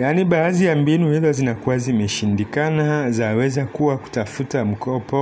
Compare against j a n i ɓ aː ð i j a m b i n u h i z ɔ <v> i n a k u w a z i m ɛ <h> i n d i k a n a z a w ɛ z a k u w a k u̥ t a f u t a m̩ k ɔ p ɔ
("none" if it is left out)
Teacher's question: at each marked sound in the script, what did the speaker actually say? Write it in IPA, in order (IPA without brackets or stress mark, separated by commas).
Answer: z, ʃ